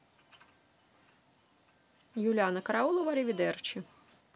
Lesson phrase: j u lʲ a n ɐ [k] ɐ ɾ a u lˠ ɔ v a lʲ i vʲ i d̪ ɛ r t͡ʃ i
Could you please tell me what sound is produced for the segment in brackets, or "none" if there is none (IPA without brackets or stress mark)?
k